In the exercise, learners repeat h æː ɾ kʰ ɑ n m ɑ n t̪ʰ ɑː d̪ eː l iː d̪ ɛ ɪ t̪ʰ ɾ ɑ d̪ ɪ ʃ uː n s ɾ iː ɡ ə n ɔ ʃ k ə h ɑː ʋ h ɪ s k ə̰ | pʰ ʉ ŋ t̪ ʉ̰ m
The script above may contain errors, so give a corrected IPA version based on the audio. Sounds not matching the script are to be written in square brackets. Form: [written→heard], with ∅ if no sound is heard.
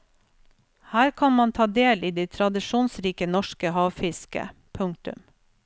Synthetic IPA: h æː ɾ kʰ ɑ n m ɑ n t̪ʰ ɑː d̪ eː l iː d̪ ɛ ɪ t̪ʰ ɾ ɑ d̪ ɪ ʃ uː n s ɾ iː [ɡ→k] ə n ɔ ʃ k ə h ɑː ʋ [h→f] ɪ s k ə̰ | pʰ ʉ ŋ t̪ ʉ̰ m